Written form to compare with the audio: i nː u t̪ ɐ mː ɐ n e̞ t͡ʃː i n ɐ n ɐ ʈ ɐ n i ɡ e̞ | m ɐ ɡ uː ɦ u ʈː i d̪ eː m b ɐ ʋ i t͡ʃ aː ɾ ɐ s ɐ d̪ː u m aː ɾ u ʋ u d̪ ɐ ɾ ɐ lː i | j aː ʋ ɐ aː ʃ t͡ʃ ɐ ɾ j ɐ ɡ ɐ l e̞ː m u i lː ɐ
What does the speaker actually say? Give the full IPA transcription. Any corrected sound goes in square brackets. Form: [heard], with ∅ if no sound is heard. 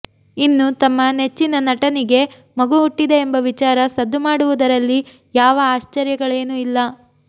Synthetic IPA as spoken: i nː u t̪ ɐ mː ɐ n e̞ t͡ʃː i n ɐ n ɐ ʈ ɐ n i ɡ e̞ | m ɐ ɡ [u] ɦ u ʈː i d̪ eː m b ɐ ʋ i t͡ʃ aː ɾ ɐ s ɐ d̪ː u m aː [ɽ] u ʋ u d̪ ɐ ɾ ɐ lː i | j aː ʋ ɐ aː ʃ t͡ʃ ɐ ɾ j ɐ ɡ ɐ [ɭ] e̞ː [n] u i lː ɐ